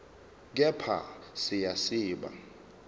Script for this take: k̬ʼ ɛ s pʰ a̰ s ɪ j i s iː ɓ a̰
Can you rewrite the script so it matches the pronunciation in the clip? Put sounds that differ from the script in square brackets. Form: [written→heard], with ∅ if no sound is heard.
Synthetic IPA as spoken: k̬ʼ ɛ [s→∅] pʰ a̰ s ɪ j [i→a] s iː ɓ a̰